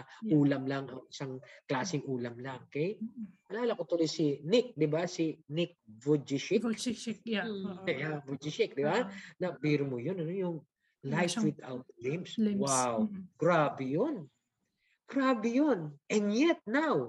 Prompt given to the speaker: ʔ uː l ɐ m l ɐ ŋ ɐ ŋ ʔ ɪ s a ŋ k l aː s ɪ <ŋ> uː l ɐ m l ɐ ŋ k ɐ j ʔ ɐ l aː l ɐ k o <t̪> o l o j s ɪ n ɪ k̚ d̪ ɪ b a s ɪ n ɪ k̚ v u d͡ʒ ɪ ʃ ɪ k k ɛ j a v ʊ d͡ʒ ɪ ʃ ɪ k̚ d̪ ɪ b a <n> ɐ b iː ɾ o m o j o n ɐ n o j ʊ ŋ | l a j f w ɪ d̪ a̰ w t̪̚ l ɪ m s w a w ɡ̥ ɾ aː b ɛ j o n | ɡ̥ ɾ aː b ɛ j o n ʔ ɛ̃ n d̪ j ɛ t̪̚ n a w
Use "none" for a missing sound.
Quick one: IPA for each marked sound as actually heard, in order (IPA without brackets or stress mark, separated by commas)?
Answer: ŋ, t̪, n